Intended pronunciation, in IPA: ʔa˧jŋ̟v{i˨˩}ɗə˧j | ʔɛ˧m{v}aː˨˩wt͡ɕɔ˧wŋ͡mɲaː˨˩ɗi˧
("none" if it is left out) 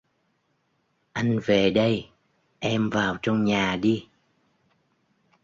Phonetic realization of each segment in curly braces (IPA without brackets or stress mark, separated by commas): e˨˩, v